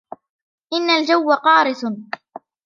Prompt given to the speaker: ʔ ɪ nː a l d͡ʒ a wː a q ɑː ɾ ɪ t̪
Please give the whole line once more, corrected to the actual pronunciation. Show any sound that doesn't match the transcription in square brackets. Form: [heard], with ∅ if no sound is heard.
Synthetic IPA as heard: ʔ ɪ nː a l d͡ʒ a wː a q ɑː ɾ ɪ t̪